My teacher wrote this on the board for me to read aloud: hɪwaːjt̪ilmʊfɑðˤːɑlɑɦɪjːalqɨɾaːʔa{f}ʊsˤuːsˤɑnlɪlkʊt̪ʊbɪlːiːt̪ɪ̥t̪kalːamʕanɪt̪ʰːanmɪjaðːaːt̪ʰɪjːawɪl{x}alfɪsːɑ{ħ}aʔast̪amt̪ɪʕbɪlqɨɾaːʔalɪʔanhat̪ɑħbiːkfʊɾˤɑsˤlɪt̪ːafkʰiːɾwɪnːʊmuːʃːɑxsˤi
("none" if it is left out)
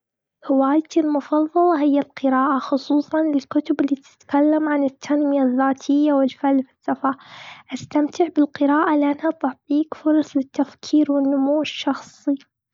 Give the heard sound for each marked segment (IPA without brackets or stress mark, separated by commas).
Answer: x, f, f